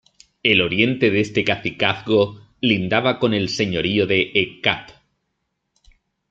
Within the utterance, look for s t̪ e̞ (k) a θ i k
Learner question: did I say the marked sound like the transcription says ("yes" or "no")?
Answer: yes